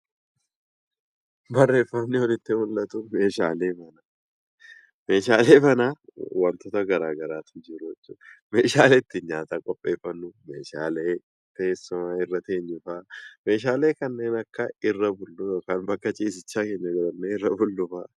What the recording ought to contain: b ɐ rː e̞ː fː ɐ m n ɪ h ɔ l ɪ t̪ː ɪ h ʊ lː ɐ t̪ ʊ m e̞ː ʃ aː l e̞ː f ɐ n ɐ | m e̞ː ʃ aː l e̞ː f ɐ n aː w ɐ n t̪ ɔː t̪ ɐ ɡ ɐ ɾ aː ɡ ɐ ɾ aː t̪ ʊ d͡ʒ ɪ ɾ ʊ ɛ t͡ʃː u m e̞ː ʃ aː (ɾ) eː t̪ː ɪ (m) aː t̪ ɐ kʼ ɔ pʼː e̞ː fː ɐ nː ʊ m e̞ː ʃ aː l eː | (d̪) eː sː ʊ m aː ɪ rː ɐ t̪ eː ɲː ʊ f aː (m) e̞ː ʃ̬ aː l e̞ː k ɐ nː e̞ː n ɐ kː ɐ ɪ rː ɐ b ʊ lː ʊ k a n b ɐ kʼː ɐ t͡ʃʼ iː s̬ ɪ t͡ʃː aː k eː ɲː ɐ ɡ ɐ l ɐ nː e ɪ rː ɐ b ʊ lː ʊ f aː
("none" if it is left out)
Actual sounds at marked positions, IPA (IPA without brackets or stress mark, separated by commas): l, ɲ, t̪, m